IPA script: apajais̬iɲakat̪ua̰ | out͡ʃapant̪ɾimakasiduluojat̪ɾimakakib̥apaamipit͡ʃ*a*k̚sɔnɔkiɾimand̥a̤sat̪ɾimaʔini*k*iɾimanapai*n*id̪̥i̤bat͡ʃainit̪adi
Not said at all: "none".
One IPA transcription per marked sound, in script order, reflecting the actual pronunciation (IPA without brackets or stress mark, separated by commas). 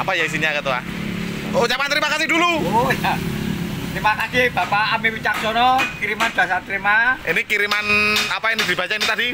a, k, n